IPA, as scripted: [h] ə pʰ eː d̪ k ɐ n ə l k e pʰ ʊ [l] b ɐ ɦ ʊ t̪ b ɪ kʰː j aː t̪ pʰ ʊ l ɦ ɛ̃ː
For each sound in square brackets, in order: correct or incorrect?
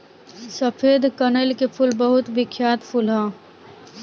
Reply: incorrect: s, correct

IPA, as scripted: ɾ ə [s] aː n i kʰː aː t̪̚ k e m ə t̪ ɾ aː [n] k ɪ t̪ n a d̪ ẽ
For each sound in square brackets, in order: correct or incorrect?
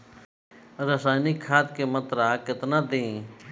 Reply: correct, incorrect: none

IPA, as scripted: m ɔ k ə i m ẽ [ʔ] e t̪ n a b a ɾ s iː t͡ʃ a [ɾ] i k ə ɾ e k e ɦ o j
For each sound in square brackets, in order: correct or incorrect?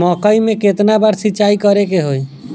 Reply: incorrect: k, incorrect: none

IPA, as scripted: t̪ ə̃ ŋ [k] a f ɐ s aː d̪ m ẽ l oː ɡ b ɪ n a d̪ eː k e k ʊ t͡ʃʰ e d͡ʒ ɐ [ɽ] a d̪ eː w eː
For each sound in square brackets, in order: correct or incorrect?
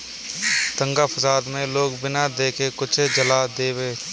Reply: incorrect: ɡ, incorrect: l

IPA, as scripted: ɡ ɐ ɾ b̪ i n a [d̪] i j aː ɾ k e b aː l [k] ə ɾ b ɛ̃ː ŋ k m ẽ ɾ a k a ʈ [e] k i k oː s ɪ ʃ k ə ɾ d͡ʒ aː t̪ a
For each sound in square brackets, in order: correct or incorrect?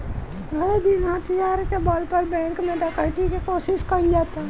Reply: incorrect: t̪, incorrect: p, incorrect: i

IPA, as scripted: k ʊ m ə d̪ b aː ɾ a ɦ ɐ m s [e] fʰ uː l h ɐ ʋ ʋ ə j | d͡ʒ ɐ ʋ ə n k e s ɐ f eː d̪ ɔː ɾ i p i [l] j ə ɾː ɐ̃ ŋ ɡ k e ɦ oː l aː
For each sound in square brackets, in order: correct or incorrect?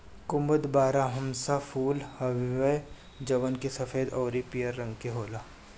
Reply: incorrect: a, incorrect: none

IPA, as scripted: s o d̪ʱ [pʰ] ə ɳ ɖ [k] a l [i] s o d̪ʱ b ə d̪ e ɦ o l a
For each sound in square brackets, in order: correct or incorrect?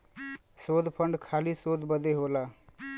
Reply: correct, incorrect: kʰ, correct

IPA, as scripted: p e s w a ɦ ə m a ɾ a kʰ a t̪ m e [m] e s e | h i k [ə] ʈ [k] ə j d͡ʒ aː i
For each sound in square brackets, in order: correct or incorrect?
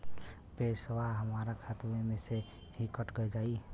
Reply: correct, correct, incorrect: ɡ

